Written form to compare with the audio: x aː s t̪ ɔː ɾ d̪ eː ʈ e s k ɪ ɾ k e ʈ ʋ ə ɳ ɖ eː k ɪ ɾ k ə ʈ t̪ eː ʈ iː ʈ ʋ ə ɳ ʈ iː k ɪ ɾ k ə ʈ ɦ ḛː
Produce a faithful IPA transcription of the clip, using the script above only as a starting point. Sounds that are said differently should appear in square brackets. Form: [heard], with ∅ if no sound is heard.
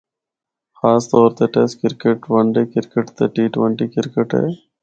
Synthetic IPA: x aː s t̪ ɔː ɾ [t̪] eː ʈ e s k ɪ ɾ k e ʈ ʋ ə ɳ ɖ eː k ɪ ɾ k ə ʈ t̪ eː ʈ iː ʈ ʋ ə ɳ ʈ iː k ɪ ɾ k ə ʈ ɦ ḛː